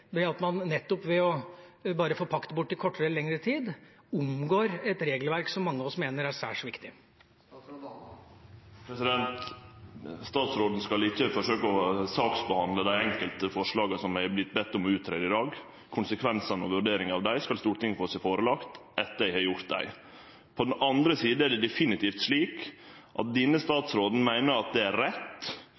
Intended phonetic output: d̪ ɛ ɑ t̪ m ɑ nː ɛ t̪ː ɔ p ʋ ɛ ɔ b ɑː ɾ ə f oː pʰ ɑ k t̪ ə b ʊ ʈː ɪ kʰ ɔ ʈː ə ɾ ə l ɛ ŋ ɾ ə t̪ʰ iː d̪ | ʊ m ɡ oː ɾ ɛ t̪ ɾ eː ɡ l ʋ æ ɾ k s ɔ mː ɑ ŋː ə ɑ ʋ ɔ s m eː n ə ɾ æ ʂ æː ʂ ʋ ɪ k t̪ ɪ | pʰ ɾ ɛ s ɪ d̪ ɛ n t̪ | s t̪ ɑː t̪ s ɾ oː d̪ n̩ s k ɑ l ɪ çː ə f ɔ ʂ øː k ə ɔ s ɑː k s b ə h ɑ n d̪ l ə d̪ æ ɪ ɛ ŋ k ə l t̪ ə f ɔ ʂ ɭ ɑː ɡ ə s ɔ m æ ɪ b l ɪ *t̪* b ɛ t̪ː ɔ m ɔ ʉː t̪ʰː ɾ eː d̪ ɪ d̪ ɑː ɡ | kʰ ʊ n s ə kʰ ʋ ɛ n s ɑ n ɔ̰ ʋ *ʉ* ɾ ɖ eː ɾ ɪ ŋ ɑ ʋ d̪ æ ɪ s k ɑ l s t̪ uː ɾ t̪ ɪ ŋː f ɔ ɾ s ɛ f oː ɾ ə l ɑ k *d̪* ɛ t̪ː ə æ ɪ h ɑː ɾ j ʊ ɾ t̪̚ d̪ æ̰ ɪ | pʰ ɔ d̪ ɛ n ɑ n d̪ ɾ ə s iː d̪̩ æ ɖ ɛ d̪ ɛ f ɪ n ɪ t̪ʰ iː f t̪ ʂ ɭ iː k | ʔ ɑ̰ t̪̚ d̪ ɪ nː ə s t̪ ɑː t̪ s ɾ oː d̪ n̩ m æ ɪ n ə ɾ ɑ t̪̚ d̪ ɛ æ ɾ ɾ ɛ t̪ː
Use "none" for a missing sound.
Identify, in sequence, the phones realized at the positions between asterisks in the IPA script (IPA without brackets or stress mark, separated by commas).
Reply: t̪, ʉ, t̪